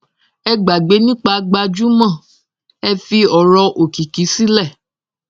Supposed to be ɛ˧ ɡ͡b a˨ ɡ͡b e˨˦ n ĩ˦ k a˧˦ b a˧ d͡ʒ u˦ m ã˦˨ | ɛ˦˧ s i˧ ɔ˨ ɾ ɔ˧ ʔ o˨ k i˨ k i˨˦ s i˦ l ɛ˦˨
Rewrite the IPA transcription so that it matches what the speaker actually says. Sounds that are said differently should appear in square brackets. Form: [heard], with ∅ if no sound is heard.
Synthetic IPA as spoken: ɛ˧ ɡ͡b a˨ ɡ͡b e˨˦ n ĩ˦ [k͡p] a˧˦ [ɡ͡b] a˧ d͡ʒ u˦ m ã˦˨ | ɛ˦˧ [f] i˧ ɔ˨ ɾ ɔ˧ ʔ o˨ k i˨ k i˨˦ s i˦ l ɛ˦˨